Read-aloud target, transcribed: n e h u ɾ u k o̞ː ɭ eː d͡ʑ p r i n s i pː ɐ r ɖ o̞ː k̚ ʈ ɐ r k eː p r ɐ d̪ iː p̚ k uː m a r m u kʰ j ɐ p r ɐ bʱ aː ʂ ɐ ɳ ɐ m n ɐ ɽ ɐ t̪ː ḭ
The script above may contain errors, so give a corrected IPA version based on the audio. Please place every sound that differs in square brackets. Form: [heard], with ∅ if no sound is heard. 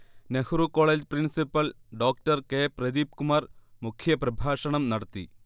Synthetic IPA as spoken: n e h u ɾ u k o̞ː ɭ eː d͡ʑ p r i n s i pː ɐ [l] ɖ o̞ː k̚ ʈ ɐ r k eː p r ɐ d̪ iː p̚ k [u] m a r m u kʰ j ɐ p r ɐ bʱ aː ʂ ɐ ɳ ɐ m n ɐ ɽ ɐ t̪ː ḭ